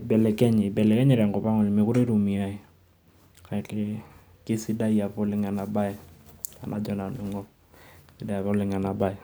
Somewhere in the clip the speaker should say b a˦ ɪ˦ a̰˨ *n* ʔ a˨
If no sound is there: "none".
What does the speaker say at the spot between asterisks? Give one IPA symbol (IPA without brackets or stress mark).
n